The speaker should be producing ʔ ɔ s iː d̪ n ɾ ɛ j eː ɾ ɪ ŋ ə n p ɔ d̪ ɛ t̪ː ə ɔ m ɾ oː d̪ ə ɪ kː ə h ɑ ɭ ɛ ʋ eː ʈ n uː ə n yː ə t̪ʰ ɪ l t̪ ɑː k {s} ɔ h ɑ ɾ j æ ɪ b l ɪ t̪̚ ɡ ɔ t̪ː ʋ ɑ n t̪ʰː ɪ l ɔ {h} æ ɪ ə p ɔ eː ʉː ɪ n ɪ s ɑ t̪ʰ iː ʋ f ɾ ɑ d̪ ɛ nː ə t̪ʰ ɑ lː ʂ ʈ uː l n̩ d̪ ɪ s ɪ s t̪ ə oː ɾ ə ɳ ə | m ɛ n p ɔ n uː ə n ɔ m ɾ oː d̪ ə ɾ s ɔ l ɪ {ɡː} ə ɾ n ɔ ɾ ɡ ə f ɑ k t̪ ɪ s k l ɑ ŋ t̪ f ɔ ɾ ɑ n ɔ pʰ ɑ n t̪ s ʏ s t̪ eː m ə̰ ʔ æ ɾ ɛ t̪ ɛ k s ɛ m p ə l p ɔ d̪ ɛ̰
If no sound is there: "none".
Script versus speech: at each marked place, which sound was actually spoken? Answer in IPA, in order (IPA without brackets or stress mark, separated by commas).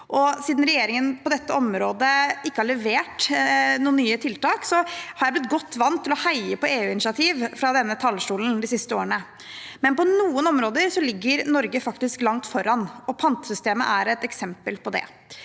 s, h, ɡː